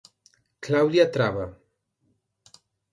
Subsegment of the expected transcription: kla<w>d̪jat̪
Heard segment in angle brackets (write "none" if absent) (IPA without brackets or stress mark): w